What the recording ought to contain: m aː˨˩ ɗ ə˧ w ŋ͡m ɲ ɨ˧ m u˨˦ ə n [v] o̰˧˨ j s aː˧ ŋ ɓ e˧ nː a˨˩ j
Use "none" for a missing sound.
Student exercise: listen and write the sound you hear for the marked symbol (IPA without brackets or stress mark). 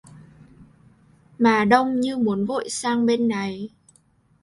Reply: v